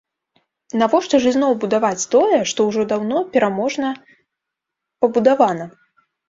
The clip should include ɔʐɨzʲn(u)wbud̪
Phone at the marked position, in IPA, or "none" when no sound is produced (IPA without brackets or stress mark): ɔ